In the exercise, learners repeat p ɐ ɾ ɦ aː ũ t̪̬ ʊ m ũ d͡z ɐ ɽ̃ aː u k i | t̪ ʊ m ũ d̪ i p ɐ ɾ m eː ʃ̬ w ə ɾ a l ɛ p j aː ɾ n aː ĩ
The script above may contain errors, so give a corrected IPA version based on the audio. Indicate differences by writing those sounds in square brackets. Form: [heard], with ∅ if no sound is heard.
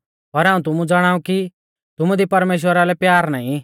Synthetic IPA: p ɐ ɾ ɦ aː ũ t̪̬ ʊ m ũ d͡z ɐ ɽ̃ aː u k i | t̪ ʊ m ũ d̪ i p ɐ ɾ m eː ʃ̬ w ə ɾ a l ɛ p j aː ɾ n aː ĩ